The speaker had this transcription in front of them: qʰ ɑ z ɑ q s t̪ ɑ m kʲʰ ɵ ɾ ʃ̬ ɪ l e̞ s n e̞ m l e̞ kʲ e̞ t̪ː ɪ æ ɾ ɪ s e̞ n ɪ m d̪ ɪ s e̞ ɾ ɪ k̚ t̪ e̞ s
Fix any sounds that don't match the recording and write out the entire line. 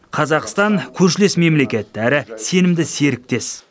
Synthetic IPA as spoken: qʰ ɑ z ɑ q s t̪ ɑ ŋ kʲʰ ɵ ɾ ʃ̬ ɪ l e̞ s m e̞ m l e̞ kʲ e̞ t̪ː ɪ æ ɾ ɪ s e̞ n ɪ m d̪ ɪ s e̞ ɾ ɪ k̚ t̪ e̞ s